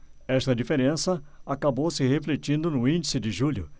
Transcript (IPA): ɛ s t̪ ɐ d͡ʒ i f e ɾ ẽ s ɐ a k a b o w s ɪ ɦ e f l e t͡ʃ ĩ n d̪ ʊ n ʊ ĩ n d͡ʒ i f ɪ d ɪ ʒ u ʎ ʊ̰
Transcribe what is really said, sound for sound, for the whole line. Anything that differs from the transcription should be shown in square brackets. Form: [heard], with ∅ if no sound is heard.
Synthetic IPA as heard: ɛ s t̪ ɐ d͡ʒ i f e ɾ ẽ s ɐ a k a b o w s ɪ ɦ e f l e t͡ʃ ĩ n d̪ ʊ n ʊ ĩ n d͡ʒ i [s] ɪ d ɪ ʒ u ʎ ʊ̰